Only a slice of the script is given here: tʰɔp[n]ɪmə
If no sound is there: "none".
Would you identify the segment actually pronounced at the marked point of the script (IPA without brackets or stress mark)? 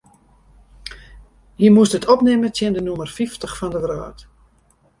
n